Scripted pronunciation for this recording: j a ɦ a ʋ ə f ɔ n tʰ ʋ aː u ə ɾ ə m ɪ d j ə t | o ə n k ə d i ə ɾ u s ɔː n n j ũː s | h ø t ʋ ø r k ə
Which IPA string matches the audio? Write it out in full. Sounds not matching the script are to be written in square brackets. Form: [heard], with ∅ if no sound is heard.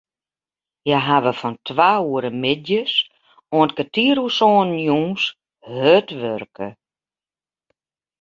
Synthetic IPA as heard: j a ɦ a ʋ ə f ɔ n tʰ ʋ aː u ə ɾ ə m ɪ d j ə [s] | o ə n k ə [t] i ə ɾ u s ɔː n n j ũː s | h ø t ʋ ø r k ə